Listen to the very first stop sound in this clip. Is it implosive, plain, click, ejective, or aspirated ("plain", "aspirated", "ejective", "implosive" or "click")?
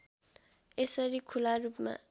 aspirated